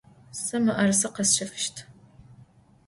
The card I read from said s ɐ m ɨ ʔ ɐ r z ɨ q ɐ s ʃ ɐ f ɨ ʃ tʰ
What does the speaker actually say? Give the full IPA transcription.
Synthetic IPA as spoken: s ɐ m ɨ ʔ ɐ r s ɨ q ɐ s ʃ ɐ f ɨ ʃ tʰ